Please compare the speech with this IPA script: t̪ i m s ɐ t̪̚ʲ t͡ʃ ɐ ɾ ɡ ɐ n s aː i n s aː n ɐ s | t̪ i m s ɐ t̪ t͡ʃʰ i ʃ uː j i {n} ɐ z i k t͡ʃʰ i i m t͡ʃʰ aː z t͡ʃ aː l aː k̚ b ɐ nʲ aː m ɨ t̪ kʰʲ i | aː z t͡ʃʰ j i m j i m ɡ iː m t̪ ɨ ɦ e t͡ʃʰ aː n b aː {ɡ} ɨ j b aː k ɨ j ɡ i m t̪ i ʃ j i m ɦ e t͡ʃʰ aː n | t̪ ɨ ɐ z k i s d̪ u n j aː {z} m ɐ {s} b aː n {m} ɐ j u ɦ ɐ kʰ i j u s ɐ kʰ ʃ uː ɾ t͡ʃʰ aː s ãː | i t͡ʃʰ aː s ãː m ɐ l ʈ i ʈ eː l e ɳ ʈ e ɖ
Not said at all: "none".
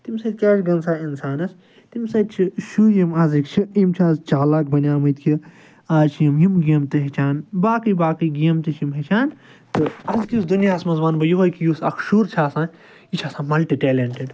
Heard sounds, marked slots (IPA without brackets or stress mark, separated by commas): m, k, s, z, b